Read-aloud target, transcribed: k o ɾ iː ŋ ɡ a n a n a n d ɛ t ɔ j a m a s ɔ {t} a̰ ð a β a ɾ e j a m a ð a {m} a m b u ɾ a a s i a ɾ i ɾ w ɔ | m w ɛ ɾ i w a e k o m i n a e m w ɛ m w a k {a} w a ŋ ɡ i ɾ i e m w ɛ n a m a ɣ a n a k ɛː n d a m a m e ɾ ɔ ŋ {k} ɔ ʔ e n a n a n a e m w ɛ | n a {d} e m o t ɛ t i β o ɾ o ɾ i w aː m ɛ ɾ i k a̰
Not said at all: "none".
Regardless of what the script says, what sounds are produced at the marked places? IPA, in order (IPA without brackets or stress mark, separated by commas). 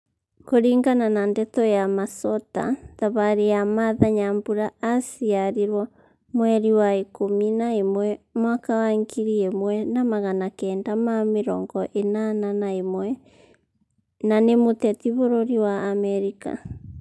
t, ɲ, a, ɡ, n